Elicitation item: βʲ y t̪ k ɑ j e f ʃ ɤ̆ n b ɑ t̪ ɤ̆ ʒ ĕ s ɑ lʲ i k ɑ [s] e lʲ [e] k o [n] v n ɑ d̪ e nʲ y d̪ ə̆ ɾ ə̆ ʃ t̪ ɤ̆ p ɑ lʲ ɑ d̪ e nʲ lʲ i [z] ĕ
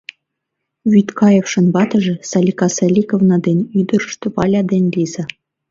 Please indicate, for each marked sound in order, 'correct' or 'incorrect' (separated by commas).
correct, incorrect, incorrect, correct